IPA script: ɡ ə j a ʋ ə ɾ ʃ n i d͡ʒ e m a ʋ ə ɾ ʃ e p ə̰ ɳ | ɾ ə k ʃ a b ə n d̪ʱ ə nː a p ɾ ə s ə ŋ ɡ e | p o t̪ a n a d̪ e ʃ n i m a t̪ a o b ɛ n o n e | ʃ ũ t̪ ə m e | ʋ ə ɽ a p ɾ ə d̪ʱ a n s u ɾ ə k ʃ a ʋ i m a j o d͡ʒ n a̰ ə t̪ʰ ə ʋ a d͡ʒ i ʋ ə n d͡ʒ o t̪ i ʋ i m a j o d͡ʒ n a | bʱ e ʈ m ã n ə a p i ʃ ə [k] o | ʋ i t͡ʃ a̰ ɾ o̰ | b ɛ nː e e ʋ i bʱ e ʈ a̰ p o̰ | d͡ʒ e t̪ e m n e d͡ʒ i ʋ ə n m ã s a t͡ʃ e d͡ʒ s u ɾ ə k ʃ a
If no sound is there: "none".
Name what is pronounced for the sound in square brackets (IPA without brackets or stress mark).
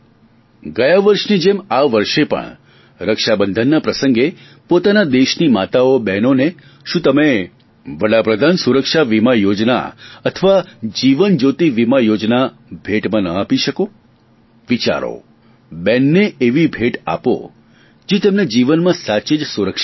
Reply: k